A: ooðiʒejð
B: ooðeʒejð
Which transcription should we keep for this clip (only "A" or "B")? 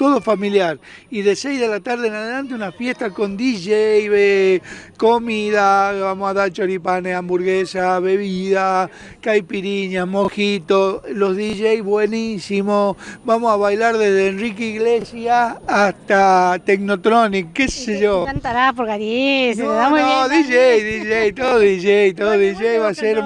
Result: A